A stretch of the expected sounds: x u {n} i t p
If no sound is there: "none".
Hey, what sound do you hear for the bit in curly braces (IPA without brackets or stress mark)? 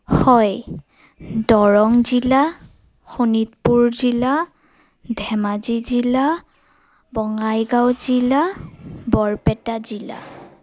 n